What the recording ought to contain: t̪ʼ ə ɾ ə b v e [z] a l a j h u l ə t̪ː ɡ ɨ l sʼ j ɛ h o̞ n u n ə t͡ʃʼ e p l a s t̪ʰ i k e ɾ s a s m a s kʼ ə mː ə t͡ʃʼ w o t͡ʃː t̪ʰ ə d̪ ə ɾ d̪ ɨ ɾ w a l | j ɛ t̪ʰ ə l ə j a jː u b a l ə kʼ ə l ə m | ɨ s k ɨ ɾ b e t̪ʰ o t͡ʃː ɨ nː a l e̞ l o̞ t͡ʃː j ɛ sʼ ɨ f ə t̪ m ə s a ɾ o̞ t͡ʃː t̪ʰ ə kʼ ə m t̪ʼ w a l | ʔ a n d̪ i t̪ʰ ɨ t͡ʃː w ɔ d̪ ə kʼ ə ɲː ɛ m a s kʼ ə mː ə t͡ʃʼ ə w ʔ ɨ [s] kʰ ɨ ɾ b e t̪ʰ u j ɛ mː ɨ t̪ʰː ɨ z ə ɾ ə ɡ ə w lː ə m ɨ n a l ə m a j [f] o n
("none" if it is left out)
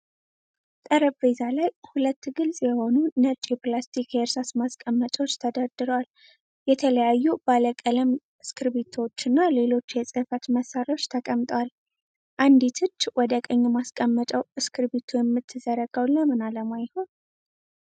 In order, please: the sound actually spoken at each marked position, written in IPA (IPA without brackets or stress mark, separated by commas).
z, s, h